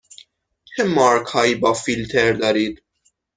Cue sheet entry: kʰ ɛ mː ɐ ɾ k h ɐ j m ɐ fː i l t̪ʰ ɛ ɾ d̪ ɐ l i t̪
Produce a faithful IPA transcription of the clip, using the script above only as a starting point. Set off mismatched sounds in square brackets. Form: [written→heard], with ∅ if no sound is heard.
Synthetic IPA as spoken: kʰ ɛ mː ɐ ɾ k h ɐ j [m→b] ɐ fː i l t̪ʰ ɛ ɾ d̪ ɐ [l→ɾ] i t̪